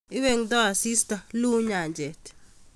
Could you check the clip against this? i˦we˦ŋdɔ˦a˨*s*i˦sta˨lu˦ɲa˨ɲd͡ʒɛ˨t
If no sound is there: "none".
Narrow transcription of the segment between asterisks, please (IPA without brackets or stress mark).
s